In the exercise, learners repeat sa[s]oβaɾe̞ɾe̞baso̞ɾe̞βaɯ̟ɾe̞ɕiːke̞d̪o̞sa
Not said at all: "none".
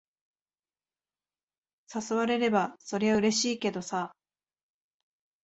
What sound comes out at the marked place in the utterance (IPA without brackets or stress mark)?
s